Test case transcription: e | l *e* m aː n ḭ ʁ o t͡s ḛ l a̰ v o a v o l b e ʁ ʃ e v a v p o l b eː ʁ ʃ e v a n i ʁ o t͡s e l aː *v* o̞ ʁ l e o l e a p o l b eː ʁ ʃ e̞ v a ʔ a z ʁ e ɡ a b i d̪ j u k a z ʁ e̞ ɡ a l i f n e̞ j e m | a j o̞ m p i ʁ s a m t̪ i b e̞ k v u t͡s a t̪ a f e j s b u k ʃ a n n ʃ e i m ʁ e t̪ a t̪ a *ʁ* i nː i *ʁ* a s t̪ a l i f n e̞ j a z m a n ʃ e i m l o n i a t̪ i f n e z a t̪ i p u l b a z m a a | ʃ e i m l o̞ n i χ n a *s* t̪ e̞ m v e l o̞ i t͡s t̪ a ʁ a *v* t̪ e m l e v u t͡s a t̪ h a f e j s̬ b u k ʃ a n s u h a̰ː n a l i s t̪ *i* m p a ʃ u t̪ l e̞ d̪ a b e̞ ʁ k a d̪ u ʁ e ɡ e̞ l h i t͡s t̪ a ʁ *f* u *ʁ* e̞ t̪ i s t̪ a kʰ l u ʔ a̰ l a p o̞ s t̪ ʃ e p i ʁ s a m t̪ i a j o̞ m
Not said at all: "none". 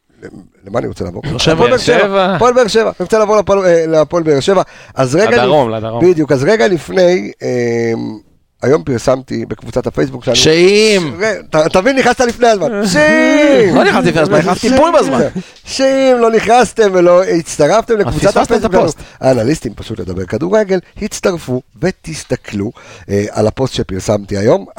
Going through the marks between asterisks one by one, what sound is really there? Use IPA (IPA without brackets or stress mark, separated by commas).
e, v, v, χ, s, f, i, f, v